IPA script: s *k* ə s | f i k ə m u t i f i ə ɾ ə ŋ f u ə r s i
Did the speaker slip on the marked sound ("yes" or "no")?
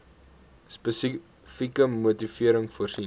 yes